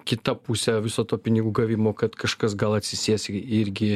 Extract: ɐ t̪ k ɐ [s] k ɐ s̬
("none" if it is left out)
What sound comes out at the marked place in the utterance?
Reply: ʃ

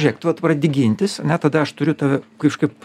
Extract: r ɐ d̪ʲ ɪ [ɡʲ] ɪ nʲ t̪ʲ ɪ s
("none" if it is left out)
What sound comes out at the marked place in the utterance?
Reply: ɡʲ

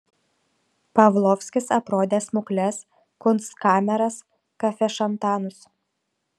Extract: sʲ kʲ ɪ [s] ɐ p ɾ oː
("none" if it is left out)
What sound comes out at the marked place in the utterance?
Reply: s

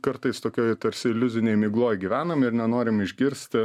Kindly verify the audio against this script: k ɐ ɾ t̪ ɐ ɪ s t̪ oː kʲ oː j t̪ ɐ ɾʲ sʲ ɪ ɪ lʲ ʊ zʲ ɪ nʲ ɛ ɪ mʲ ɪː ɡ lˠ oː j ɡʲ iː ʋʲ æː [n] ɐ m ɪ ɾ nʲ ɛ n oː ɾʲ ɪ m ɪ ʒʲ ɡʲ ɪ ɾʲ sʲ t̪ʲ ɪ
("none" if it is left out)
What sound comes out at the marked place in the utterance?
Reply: n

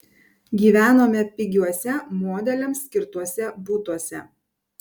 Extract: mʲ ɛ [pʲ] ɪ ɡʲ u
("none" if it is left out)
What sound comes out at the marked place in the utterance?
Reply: pʲ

